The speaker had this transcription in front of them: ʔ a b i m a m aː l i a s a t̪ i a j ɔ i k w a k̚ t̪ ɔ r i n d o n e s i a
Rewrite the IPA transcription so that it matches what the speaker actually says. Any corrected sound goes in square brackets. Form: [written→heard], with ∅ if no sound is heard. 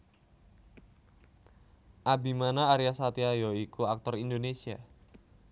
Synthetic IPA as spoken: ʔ a b i m a [m→n] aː [l→ɾ] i a s a t̪ i a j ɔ i k [w→u] a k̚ t̪ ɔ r i n d o n e s i a

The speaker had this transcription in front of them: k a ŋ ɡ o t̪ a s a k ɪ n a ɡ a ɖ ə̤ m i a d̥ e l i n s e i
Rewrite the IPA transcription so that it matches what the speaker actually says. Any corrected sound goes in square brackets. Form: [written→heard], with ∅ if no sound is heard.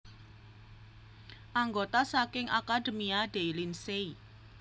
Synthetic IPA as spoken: [k→ʔ] a ŋ ɡ o t̪ a s a k ɪ [n→ŋ] a [ɡ→k] a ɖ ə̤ m i a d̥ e l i n s e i

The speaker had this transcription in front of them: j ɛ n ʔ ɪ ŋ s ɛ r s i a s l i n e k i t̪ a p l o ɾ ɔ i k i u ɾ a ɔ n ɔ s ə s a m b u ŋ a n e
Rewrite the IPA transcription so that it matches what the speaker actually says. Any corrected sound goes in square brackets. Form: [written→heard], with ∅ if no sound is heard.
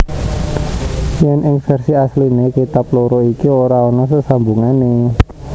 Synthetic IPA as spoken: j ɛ n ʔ ɪ ŋ [s→f] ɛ r s i a s l i n e k i t̪ a p l o ɾ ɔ i k i [u→o] ɾ a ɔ n ɔ s ə s a m b u ŋ a n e

